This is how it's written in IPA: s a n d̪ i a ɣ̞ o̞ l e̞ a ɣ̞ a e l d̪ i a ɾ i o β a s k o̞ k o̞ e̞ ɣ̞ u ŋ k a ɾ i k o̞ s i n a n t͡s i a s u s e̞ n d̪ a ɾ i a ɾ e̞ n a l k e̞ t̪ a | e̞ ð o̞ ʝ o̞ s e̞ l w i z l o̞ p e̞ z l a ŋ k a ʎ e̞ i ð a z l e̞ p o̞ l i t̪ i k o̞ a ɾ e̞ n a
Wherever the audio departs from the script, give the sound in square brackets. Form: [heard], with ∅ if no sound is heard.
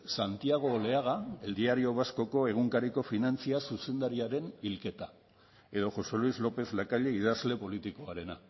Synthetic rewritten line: s a n [t̪] i a ɣ̞ o̞ l e̞ a ɣ̞ a e l d̪ i a ɾ i o β a s k o̞ k o̞ e̞ ɣ̞ u ŋ k a ɾ i k o̞ [f] i n a n t͡s i a s u s e̞ n d̪ a ɾ i a ɾ e̞ n [i] l k e̞ t̪ a | e̞ ð o̞ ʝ o̞ s e̞ l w i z l o̞ p e̞ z l a [∅] k a ʎ e̞ i ð a z l e̞ p o̞ l i t̪ i k o̞ a ɾ e̞ n a